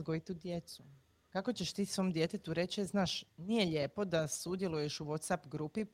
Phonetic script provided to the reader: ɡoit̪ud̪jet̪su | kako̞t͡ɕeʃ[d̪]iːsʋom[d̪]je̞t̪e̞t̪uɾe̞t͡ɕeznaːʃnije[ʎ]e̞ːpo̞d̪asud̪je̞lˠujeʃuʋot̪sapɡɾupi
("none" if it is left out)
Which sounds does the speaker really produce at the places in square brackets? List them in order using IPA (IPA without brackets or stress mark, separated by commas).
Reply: t̪, d̪, ʎ